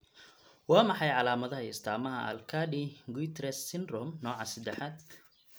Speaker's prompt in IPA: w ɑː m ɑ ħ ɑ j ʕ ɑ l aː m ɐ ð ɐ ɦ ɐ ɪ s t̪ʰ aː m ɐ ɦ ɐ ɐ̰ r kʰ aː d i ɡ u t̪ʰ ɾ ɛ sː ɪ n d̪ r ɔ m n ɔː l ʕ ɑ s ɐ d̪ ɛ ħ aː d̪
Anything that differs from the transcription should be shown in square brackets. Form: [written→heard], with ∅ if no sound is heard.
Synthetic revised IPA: w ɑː m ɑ ħ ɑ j ʕ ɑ l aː m ɐ ð ɐ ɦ ɐ ɪ s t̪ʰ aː m ɐ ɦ ɐ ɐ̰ [r→l] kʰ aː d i ɡ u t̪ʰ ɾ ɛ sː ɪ n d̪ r ɔ m n ɔː [l→∅] ʕ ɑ s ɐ d̪ ɛ ħ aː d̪